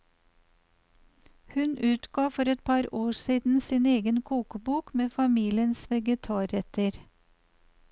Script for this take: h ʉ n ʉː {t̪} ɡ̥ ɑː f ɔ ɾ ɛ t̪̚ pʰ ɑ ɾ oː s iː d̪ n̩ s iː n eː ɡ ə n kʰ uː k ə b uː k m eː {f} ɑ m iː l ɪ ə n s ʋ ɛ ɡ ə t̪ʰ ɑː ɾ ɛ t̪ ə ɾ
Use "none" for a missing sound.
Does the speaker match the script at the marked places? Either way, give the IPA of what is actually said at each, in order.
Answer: t̪, f

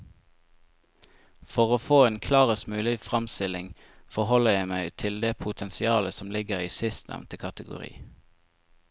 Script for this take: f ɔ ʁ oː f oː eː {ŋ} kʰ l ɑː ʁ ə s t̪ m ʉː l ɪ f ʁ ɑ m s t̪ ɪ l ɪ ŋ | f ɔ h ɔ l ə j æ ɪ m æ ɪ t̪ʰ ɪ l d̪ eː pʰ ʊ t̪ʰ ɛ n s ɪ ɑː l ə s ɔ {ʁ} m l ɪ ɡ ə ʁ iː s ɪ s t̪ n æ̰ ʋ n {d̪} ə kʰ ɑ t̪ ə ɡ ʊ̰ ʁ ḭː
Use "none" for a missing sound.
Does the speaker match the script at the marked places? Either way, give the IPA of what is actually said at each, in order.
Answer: n, none, t̪

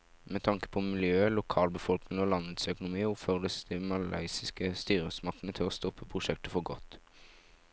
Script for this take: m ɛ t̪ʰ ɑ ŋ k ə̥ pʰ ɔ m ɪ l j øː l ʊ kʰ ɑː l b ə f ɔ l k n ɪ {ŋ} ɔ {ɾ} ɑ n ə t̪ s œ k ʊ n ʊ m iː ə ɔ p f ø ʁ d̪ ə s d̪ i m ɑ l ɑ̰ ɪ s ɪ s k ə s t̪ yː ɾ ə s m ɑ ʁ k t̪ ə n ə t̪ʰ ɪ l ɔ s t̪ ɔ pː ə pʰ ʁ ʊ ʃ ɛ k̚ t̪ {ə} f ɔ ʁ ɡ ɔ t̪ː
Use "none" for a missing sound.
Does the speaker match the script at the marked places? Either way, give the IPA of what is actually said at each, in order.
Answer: ŋ, l, ə

